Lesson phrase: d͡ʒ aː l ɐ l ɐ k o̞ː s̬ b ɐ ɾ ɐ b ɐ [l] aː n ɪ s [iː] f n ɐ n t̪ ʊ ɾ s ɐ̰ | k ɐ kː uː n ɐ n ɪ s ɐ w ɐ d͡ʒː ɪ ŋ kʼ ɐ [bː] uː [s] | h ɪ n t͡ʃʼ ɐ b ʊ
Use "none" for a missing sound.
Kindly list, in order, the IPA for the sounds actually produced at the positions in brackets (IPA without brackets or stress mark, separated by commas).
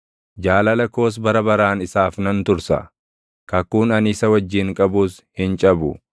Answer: ɾ, aː, b, s